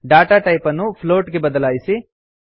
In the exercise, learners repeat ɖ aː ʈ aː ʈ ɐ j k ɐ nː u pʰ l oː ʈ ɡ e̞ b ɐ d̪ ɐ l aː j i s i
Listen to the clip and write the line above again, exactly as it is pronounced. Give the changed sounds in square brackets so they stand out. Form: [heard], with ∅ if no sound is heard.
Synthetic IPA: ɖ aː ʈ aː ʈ ɐ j [p] ɐ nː u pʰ l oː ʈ ɡ e̞ b ɐ d̪ ɐ l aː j i s i